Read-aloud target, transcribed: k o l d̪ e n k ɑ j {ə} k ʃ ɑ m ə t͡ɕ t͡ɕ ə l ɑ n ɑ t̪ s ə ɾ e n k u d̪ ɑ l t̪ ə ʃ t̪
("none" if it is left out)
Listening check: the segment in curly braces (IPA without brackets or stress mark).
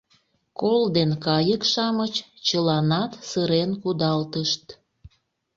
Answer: ə